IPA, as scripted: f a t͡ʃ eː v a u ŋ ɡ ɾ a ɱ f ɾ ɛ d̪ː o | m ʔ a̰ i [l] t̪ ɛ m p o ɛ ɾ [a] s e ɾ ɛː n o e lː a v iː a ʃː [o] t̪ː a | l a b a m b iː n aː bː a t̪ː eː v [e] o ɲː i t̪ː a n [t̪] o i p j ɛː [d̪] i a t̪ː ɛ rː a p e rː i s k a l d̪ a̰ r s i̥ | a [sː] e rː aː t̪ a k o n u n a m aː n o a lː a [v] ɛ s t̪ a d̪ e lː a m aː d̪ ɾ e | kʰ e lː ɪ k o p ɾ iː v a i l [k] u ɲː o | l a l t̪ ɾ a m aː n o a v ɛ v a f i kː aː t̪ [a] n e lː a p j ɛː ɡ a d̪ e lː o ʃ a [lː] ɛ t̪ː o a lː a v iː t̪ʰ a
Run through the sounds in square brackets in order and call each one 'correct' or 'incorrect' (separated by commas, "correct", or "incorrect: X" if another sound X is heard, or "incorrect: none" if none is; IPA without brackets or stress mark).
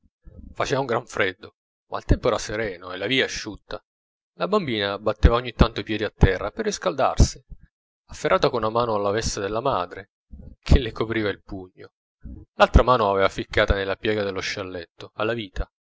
correct, correct, incorrect: u, incorrect: a, correct, correct, incorrect: fː, correct, incorrect: p, correct, correct